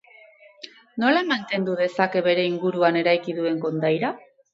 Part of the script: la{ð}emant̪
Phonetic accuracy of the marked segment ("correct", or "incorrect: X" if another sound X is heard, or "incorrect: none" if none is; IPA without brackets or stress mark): incorrect: none